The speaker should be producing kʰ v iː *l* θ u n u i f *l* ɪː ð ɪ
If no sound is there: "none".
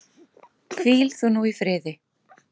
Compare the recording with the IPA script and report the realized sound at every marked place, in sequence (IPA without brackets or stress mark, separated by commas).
l, ɾ